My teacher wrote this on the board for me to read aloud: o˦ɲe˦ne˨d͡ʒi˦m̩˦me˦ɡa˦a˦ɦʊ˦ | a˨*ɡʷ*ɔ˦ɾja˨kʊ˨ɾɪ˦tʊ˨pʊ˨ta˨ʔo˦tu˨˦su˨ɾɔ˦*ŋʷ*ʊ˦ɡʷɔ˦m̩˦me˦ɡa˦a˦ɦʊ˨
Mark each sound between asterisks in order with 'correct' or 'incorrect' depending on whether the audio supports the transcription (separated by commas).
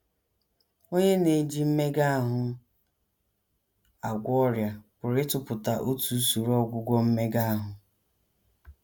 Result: correct, incorrect